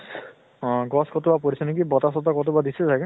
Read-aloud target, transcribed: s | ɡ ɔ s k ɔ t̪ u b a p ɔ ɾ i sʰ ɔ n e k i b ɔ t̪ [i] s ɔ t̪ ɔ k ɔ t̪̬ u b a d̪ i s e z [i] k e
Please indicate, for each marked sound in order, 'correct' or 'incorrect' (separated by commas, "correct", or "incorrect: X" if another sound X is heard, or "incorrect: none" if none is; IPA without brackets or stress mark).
incorrect: a, incorrect: a